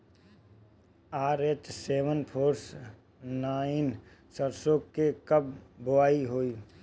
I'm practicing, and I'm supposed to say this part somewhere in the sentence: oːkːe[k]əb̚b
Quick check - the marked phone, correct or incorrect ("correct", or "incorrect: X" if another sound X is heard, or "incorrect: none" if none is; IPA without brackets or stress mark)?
correct